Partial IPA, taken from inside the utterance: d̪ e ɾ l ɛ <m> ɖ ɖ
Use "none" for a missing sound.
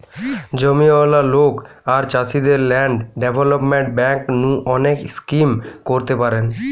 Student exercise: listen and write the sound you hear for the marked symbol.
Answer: ɳ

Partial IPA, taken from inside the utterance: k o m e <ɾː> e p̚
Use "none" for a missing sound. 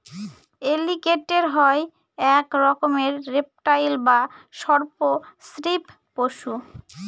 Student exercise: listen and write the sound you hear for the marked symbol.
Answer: ɾː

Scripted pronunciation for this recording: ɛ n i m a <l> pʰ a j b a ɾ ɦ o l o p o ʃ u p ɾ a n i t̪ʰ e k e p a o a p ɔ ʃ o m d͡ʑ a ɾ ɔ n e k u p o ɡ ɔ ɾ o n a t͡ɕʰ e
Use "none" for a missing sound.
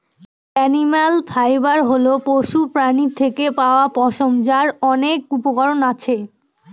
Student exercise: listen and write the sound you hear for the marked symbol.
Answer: l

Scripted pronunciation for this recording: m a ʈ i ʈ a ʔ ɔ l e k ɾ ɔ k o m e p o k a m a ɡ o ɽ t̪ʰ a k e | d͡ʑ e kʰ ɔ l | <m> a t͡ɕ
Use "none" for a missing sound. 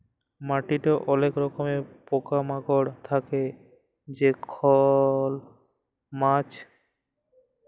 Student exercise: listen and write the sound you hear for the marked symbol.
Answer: m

